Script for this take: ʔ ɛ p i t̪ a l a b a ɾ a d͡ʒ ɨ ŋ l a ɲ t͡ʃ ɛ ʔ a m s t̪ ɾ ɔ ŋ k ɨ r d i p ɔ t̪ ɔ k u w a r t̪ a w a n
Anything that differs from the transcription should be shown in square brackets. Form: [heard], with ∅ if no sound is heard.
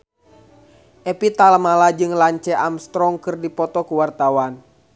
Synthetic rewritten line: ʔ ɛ p i t̪ a l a [m] a [l] a d͡ʒ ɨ ŋ l a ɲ t͡ʃ ɛ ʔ a m s t̪ ɾ ɔ ŋ k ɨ r d i p ɔ t̪ ɔ k u w a r t̪ a w a n